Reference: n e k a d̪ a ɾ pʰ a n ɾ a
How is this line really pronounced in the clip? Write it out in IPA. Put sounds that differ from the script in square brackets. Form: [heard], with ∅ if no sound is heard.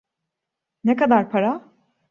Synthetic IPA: n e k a d̪ a ɾ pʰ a [∅] ɾ a